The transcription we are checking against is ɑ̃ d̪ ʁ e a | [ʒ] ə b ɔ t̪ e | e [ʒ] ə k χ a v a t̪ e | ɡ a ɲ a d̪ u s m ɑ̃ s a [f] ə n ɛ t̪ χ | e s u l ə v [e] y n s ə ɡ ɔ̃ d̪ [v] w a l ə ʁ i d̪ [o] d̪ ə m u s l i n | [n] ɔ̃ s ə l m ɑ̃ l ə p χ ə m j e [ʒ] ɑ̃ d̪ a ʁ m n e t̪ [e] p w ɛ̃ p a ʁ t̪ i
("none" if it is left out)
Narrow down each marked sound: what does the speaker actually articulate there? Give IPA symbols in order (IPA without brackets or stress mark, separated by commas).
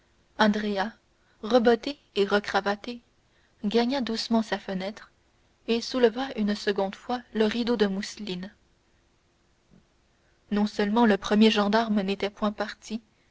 ʁ, ʁ, f, a, f, o, n, ʒ, ɛ